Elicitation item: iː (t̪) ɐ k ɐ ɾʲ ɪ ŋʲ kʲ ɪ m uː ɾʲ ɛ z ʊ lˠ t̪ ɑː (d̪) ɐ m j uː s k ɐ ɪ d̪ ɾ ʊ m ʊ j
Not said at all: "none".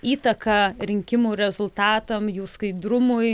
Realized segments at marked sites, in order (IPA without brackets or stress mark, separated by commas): t̪, t̪